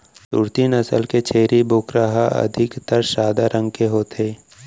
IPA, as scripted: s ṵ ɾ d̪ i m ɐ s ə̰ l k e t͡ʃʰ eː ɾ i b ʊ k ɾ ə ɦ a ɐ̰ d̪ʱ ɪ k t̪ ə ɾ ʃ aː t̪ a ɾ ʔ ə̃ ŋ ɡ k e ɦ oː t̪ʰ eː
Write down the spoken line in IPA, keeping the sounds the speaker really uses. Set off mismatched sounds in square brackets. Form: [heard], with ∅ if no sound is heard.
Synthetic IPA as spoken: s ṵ ɾ [t̪] i [n] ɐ s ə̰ l k e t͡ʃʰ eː ɾ i b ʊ k ɾ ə ɦ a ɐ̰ d̪ʱ ɪ k t̪ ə ɾ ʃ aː [d̪] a ɾ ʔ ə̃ ŋ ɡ k e ɦ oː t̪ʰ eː